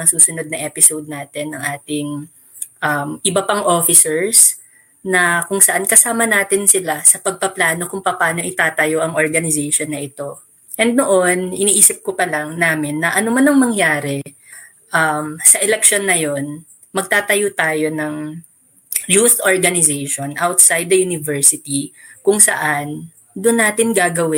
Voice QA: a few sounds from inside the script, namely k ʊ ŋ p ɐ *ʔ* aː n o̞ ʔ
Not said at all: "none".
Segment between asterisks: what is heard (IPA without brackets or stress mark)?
p